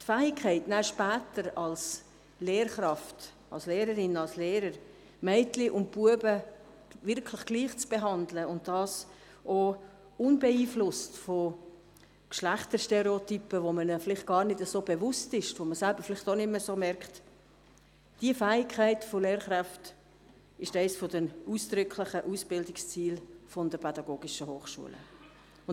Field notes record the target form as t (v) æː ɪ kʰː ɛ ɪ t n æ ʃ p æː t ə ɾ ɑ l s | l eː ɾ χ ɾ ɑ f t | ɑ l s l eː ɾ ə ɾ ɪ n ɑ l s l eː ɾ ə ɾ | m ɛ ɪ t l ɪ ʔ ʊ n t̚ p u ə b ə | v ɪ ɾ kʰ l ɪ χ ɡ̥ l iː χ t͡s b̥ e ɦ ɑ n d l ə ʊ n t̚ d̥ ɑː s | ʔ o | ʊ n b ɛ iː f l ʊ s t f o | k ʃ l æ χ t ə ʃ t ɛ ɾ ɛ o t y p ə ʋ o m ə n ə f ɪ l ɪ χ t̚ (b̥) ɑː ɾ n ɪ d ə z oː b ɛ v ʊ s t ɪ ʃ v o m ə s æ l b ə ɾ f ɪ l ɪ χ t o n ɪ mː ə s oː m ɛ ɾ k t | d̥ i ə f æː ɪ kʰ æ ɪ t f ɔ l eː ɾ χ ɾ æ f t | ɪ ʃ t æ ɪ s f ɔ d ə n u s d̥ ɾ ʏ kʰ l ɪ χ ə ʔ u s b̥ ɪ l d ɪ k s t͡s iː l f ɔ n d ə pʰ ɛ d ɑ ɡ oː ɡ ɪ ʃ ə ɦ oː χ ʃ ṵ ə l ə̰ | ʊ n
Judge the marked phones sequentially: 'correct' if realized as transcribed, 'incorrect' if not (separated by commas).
incorrect, incorrect